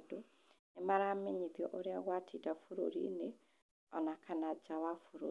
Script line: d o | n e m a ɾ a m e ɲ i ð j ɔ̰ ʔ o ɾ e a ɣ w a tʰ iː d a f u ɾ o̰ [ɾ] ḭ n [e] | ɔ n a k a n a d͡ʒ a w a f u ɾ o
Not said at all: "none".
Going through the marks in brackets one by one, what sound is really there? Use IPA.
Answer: ɾ, e

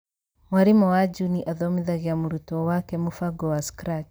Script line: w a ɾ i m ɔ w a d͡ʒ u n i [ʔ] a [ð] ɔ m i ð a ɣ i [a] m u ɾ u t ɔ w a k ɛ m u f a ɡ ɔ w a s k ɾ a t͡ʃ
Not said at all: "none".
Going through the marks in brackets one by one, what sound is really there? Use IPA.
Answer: ʔ, ð, a

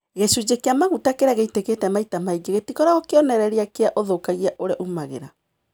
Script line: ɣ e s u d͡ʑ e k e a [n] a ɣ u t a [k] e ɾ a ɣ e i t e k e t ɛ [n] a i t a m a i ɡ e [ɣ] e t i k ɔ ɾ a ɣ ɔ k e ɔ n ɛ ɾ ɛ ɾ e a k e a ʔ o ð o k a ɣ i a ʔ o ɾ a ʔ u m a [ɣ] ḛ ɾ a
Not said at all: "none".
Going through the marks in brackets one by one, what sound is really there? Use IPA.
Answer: m, k, m, ɣ, ɣ

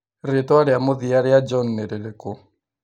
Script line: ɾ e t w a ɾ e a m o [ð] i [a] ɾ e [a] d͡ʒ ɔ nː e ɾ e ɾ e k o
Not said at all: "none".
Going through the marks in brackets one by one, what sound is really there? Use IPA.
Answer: ð, a, a

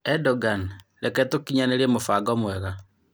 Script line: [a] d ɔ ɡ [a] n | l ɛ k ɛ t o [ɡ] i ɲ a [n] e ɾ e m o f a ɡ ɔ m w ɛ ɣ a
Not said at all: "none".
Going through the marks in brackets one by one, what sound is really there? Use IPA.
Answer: ɛ, a, k, n

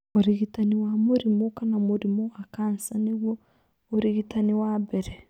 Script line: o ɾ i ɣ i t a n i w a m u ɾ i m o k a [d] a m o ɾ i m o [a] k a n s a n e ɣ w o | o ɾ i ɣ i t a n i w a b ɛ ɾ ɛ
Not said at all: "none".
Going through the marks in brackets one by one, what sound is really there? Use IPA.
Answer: n, a

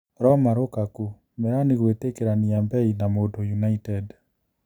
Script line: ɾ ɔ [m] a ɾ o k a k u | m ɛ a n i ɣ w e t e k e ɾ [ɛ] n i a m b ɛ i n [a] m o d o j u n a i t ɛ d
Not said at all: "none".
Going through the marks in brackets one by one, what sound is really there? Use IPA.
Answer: m, a, a

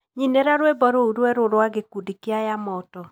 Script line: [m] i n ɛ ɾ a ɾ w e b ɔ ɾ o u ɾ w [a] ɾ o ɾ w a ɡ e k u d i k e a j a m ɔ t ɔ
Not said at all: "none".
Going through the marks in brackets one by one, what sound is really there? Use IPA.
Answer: ɲ, ɛ

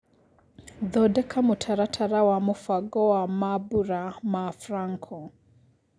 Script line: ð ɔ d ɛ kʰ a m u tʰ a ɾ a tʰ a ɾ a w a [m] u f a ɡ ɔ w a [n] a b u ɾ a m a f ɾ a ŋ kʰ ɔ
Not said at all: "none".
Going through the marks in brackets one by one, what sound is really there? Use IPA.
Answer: m, m

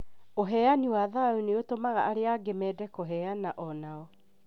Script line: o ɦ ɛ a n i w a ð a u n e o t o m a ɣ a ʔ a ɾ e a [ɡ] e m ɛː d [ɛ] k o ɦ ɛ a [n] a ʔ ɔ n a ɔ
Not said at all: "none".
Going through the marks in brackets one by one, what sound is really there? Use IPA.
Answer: ɡ, ɛ, n

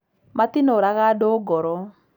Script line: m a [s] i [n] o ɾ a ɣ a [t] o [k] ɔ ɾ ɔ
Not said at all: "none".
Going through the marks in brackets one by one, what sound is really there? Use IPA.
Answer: t, n, d, ɡ

